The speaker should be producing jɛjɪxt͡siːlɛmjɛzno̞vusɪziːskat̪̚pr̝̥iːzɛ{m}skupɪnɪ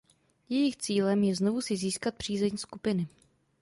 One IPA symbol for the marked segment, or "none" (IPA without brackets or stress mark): ɲ